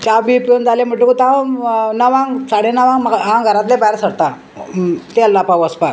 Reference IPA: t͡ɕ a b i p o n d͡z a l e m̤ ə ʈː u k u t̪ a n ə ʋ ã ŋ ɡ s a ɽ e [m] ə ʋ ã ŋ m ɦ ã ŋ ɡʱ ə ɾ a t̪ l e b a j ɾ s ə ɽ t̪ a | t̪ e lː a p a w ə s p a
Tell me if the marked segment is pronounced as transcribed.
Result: no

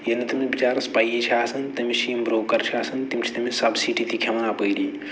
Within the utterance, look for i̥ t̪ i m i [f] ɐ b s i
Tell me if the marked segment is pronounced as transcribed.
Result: no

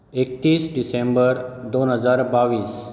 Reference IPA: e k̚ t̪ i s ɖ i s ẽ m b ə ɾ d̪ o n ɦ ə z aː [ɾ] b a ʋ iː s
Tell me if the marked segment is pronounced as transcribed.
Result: yes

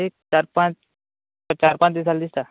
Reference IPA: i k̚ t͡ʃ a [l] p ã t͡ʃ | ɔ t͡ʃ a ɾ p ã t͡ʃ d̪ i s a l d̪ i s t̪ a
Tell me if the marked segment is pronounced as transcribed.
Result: no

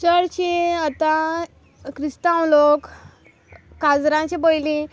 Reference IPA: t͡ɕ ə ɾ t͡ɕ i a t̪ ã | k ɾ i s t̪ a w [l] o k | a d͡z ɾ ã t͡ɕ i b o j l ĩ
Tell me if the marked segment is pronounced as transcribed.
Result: yes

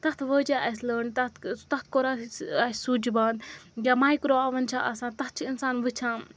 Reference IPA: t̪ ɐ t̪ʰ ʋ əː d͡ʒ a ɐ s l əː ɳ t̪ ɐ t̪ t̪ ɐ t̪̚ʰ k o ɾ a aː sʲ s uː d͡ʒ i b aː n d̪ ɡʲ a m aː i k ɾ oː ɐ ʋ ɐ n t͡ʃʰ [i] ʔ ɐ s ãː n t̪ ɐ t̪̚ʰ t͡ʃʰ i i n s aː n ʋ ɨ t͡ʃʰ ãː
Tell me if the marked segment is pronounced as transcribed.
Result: no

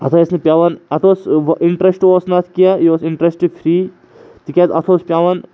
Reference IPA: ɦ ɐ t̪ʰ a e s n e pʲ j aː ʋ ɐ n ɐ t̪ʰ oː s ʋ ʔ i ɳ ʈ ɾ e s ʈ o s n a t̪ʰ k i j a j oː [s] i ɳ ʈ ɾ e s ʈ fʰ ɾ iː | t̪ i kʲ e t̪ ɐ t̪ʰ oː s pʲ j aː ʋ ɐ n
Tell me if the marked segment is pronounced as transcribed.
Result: yes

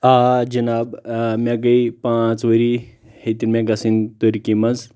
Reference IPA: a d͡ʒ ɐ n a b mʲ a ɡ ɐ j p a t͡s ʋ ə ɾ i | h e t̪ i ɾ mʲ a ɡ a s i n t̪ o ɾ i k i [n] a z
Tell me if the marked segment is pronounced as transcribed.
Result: no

